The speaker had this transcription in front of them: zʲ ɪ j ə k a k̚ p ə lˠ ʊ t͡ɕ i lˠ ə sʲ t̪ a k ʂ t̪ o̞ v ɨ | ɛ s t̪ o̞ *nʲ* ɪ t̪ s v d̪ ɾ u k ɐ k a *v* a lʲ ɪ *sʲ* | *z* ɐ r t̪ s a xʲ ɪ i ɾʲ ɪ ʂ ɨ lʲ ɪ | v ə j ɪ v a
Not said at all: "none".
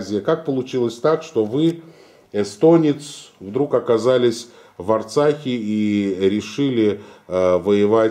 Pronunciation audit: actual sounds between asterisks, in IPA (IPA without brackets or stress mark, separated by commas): nʲ, z, sʲ, v